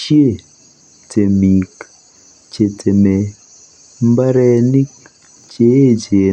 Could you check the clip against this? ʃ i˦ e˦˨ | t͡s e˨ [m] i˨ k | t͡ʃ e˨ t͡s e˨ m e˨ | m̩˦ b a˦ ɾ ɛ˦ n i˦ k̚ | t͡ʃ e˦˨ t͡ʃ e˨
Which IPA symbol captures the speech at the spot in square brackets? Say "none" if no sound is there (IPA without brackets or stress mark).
m